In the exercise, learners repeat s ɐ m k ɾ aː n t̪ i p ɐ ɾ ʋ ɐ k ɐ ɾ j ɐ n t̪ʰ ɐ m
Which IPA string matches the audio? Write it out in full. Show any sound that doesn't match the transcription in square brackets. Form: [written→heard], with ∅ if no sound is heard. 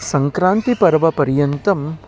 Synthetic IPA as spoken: s ɐ [m→ŋ] k ɾ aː n t̪ i p ɐ ɾ ʋ ɐ [k→p] ɐ ɾ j ɐ n [t̪ʰ→t̪] ɐ m